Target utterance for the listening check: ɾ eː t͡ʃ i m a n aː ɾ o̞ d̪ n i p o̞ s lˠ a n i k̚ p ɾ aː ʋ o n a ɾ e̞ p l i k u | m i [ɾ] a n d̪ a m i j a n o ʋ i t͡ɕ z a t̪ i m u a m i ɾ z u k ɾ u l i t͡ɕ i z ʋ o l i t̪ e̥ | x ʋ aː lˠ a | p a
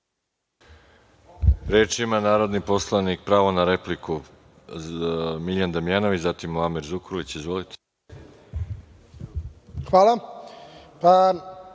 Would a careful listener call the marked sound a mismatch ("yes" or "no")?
yes